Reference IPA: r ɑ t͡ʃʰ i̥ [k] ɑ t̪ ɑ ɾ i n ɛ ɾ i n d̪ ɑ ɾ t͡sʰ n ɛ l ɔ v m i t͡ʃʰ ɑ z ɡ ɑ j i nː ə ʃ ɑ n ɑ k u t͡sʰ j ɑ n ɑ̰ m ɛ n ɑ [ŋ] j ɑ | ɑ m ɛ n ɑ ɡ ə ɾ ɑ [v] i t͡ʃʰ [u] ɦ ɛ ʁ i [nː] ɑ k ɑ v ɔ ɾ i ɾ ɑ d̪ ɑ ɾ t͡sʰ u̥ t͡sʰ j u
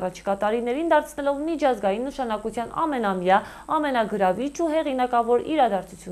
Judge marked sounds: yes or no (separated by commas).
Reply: yes, no, yes, yes, no